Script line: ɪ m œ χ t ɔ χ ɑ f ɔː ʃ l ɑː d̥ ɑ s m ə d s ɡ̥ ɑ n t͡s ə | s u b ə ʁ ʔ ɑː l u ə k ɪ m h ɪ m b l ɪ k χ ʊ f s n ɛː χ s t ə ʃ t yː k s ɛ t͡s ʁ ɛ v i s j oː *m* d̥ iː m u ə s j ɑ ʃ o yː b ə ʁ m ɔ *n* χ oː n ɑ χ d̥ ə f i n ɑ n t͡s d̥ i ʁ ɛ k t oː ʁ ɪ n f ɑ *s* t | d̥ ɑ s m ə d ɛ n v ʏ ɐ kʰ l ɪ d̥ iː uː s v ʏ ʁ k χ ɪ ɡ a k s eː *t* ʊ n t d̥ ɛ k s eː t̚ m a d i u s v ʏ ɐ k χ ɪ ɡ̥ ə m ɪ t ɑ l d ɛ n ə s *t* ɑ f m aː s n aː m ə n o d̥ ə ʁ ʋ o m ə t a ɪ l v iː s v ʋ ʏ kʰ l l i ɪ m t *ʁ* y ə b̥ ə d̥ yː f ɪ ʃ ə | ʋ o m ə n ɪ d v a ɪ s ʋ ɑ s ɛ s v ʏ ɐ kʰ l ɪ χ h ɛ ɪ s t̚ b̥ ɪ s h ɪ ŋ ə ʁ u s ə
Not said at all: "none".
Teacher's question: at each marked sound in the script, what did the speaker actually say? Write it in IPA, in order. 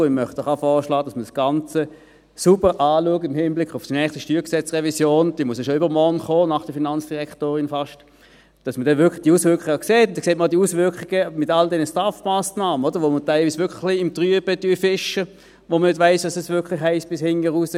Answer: n, n, ʃ, t, t, ʁ

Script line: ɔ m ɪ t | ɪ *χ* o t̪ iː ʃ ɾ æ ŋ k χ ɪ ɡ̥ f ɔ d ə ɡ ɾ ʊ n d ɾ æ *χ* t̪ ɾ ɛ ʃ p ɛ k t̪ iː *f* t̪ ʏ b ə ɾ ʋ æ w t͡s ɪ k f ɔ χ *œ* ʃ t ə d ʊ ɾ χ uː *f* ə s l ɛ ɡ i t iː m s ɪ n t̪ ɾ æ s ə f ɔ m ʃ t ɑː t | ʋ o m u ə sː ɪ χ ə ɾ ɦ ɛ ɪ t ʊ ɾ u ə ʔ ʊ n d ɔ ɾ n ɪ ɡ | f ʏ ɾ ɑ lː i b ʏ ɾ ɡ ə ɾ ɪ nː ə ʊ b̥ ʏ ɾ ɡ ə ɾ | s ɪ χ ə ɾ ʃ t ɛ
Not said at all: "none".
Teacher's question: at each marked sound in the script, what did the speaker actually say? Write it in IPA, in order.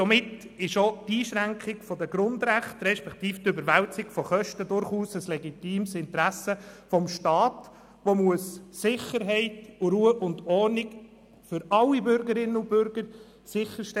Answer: ʃ, χ, f, œ, s

